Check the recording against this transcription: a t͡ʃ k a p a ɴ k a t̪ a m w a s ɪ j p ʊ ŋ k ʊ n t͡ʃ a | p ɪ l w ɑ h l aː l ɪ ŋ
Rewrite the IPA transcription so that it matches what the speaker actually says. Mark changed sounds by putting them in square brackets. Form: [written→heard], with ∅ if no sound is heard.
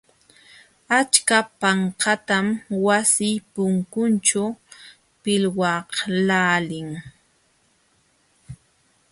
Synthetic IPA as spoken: a t͡ʃ k a p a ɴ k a t̪ a m w a s ɪ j p ʊ ŋ k ʊ n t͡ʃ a | p ɪ l w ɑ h l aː l ɪ ŋ